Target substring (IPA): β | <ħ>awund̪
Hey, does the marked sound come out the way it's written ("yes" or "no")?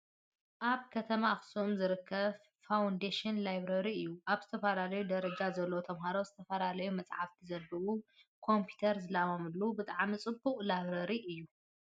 no